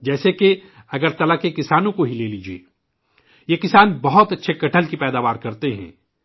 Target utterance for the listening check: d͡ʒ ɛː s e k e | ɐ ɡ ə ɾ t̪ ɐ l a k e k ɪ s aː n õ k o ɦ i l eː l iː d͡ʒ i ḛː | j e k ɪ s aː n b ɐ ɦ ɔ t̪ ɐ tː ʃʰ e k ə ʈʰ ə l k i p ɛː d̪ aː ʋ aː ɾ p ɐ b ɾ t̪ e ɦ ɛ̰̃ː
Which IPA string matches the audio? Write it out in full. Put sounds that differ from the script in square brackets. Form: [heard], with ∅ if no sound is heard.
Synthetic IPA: d͡ʒ ɛː s e k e | ɐ ɡ ə ɾ t̪ ɐ l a k e k ɪ s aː n õ k o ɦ i l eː l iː d͡ʒ i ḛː | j e k ɪ s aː n b ɐ ɦ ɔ t̪ ɐ tː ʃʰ e k [ɐ] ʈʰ ə l k i p ɛː d̪ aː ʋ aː ɾ [k] ɐ [∅] ɾ t̪ e ɦ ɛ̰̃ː